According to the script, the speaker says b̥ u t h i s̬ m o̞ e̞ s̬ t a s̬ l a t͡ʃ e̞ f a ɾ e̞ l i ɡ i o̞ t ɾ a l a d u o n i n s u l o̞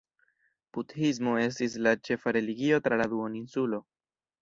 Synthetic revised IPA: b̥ u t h i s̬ m o̞ e̞ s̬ t i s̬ l a t͡ʃ e̞ f a ɾ e̞ l i ɡ i o̞ t ɾ a l a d u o n i n s u l o̞